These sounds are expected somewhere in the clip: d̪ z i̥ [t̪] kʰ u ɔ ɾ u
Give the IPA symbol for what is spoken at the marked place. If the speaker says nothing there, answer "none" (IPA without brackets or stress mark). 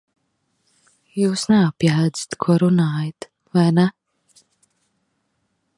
t̪